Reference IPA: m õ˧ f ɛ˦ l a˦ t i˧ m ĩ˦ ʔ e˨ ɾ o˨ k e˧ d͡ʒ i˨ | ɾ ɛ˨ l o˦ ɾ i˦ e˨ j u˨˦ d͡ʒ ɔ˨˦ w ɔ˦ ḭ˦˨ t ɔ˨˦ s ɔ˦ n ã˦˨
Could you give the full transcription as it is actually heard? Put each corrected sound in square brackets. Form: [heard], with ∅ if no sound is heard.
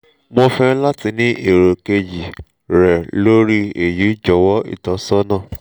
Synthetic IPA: m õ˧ f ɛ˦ l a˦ t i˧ [n] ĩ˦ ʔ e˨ ɾ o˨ k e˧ d͡ʒ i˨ | ɾ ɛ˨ l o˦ ɾ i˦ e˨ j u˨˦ d͡ʒ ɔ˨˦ w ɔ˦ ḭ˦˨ t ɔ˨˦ s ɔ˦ n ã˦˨